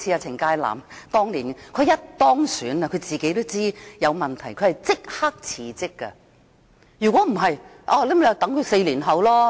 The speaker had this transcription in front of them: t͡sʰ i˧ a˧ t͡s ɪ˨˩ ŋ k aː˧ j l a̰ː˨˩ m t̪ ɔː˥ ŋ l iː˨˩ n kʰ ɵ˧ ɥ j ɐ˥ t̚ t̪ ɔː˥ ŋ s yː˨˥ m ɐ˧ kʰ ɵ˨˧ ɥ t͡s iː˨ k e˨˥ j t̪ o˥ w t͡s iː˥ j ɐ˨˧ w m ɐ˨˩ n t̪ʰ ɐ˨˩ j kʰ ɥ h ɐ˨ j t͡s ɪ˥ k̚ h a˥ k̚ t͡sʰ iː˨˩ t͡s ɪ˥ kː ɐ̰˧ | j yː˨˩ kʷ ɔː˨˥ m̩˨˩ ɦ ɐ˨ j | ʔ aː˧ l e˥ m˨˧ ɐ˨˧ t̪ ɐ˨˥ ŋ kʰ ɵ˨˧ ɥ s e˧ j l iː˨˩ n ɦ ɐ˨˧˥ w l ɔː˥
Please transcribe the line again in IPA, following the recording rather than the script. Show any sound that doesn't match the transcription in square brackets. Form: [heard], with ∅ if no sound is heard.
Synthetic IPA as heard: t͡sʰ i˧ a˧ [t͡sʰ] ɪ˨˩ ŋ k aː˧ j l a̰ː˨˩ m t̪ ɔː˥ ŋ l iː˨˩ n kʰ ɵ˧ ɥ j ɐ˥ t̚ t̪ ɔː˥ ŋ s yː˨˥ [n] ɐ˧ kʰ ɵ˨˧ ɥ t͡s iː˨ k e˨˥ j t̪ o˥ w t͡s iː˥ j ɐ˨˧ w m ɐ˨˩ n t̪ʰ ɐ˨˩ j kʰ ɥ h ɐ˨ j t͡s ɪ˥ k̚ h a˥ k̚ t͡sʰ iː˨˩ t͡s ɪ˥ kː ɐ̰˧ | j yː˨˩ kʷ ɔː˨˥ m̩˨˩ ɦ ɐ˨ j | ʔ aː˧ l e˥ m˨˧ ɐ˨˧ t̪ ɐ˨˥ ŋ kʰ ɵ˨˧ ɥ s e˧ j l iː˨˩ n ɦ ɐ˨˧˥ w l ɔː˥